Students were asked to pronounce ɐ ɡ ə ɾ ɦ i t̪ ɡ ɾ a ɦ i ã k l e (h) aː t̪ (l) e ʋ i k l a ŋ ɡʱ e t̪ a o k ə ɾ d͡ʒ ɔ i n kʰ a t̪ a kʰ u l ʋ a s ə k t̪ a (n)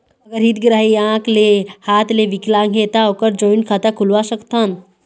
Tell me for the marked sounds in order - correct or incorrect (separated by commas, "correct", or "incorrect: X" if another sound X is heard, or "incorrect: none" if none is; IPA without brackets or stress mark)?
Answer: correct, correct, correct